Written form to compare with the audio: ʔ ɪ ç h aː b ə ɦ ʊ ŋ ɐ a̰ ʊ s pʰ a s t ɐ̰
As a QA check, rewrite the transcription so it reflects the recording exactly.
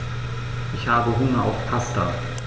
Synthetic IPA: ʔ ɪ ç h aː b ə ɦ ʊ ŋ ɐ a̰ ʊ f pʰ a s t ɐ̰